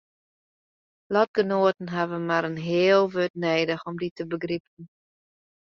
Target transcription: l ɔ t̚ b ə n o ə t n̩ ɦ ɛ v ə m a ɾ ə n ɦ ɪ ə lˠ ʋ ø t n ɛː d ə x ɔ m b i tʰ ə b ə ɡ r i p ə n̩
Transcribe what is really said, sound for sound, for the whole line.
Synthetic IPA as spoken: l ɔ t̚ ɡ ə n o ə t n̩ ɦ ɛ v ə m a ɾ ə n ɦ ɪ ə lˠ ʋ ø t n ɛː d ə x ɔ m d i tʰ ə b ə ɡ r i p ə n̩